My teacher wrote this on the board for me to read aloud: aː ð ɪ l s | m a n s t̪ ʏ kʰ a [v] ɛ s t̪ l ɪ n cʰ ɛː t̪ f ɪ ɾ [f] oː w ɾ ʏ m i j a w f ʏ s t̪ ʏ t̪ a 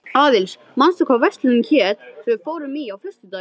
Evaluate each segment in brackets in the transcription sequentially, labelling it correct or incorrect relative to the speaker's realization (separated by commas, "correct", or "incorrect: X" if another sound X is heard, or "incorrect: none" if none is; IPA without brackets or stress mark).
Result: correct, correct